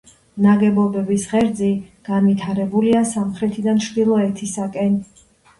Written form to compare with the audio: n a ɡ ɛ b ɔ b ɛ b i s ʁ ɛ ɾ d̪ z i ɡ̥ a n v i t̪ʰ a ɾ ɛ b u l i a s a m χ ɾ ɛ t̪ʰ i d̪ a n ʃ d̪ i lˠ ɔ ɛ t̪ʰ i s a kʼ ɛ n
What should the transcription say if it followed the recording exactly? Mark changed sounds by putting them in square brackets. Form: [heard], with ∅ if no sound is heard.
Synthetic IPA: n a ɡ ɛ b ɔ b ɛ b i s ʁ ɛ ɾ d̪ z i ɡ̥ a n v i t̪ʰ a ɾ ɛ b u l i a s a m χ ɾ ɛ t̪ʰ i d̪ a n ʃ d̪ i lˠ ɔ ɛ t̪ʰ i s a kʼ ɛ n